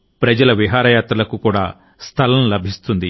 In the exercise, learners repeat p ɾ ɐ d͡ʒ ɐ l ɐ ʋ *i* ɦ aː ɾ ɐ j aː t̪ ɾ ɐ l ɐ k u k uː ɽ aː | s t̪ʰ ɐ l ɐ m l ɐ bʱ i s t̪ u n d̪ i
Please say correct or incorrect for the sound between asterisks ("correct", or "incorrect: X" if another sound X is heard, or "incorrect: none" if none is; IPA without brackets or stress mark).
correct